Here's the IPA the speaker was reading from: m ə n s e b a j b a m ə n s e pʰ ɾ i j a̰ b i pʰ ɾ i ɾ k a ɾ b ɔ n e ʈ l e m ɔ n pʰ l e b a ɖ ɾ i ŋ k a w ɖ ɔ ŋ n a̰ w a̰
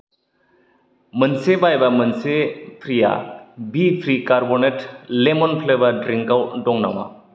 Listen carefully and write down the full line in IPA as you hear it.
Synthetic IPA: m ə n s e b a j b a m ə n s e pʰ ɾ i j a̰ b i pʰ ɾ i k a ɾ b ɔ n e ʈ l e m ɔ n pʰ l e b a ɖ ɾ i ŋ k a w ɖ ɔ ŋ n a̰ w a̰